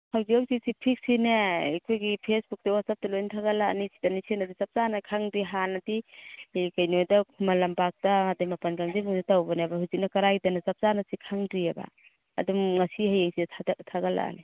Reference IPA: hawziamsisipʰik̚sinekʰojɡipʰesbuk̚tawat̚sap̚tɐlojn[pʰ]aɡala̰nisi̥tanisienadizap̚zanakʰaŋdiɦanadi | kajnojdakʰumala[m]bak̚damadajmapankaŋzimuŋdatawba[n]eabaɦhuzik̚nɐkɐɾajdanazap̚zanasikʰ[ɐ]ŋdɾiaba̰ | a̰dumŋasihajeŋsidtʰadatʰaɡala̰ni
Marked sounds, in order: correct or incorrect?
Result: incorrect, correct, correct, incorrect

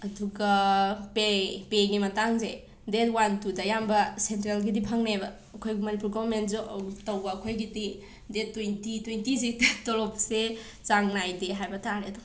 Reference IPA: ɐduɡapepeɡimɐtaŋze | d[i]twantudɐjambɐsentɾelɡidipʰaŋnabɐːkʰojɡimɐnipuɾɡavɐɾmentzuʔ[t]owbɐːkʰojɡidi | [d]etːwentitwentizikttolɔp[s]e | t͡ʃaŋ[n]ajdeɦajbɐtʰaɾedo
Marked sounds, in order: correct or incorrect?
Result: incorrect, correct, correct, correct, correct

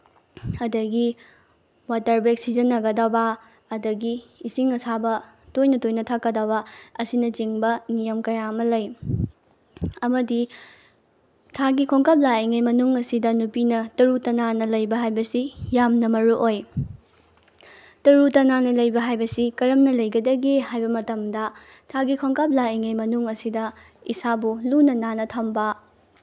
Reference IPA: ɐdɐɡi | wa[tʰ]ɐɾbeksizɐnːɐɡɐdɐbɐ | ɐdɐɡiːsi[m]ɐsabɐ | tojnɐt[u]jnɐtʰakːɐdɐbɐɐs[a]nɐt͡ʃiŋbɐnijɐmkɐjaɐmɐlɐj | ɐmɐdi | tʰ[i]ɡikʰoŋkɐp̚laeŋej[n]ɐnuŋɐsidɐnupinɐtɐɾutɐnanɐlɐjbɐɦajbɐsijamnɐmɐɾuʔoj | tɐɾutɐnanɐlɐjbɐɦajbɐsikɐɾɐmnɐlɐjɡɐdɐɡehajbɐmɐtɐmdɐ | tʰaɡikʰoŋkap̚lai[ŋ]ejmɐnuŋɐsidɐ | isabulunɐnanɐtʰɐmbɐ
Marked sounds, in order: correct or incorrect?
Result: incorrect, incorrect, incorrect, incorrect, incorrect, incorrect, correct

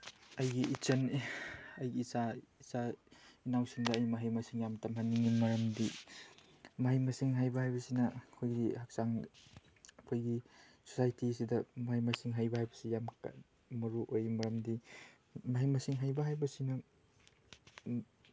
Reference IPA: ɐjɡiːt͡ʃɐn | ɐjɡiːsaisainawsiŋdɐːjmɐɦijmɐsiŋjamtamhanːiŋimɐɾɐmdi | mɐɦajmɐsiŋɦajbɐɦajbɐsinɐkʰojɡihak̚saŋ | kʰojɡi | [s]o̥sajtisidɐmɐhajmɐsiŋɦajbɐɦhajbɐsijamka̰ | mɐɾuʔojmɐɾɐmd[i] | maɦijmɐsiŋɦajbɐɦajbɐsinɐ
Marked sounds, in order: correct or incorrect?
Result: correct, correct

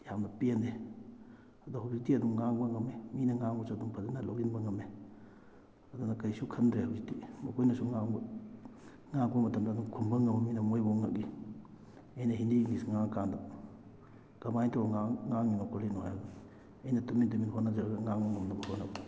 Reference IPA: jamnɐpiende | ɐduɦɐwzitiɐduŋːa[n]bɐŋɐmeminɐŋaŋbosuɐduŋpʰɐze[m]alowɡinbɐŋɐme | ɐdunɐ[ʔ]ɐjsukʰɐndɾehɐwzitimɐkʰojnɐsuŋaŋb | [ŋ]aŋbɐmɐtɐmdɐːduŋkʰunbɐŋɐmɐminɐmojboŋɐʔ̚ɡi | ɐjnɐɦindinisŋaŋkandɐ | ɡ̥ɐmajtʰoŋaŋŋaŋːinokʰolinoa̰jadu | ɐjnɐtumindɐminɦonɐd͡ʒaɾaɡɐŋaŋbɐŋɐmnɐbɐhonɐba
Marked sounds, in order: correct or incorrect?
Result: incorrect, incorrect, incorrect, correct

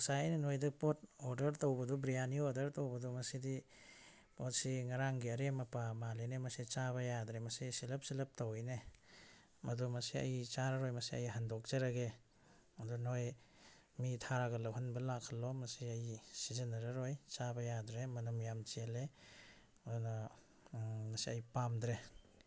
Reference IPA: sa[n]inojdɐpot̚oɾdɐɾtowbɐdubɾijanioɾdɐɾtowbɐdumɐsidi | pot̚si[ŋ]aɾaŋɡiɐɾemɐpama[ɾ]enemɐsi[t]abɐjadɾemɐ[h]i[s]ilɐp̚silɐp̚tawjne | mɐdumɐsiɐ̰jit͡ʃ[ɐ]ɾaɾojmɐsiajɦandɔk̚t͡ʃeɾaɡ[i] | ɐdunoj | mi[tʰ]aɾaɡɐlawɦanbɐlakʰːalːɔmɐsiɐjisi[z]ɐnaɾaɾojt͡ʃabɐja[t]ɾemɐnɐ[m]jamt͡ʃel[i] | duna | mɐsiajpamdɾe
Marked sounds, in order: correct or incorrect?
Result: correct, correct, incorrect, incorrect, incorrect, correct, incorrect, incorrect, correct, correct, incorrect, correct, incorrect

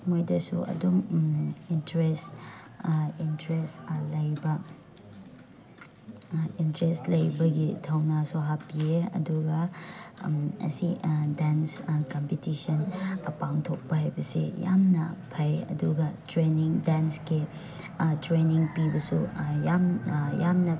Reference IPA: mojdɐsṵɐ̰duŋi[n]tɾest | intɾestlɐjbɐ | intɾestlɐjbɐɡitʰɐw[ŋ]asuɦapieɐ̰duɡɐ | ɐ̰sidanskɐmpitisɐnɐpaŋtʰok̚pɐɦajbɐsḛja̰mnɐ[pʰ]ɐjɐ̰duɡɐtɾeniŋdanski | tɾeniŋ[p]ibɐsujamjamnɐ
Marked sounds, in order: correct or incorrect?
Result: correct, incorrect, correct, correct

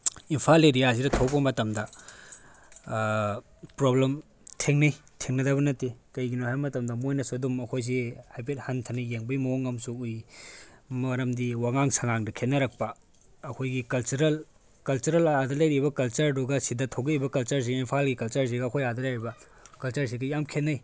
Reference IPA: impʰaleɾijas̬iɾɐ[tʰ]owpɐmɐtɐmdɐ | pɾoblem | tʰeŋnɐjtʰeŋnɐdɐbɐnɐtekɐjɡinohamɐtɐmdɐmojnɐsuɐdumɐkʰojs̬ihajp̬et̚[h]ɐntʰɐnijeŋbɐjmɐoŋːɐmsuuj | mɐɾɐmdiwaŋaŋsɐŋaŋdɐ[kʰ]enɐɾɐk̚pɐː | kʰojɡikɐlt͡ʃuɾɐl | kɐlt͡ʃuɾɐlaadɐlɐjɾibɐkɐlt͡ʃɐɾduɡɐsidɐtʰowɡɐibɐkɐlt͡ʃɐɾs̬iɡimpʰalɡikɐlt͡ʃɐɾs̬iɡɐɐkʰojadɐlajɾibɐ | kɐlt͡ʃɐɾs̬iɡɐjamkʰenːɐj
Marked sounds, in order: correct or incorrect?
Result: correct, correct, correct

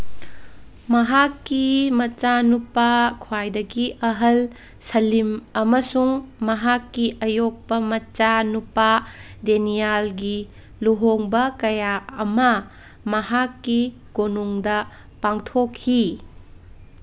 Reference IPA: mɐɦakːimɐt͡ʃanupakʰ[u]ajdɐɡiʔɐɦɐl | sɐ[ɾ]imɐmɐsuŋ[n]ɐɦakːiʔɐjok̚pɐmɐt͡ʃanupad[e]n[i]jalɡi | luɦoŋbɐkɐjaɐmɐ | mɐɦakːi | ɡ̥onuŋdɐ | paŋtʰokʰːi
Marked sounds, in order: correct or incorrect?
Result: incorrect, incorrect, incorrect, correct, correct

